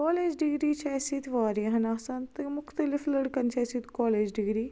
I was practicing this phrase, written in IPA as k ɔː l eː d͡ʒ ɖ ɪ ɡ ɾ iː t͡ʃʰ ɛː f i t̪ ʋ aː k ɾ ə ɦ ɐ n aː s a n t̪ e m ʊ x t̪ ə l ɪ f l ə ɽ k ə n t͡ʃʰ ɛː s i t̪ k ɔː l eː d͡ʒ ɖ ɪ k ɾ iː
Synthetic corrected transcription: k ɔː l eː d͡ʒ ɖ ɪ ɡ ɾ iː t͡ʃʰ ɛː s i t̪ ʋ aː ɾ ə ɦ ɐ n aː s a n t̪ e m ʊ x t̪ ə l ɪ f l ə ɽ k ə n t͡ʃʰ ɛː s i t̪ k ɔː l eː d͡ʒ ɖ ɪ ɡ ɾ iː